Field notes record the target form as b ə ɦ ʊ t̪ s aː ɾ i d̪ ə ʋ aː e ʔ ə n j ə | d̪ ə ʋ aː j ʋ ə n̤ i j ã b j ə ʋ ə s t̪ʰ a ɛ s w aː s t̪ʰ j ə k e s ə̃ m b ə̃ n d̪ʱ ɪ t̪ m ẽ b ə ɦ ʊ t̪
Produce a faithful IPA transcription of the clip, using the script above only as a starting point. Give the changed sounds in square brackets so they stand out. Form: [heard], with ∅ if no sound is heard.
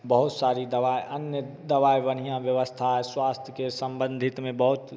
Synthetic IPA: b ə ɦ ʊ t̪ s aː ɾ i d̪ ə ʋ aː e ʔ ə n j ə | d̪ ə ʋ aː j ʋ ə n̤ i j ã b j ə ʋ ə s t̪ʰ a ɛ s w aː s t̪ʰ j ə k e s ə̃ m b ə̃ n d̪ʱ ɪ t̪ m ẽ b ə ɦ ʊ t̪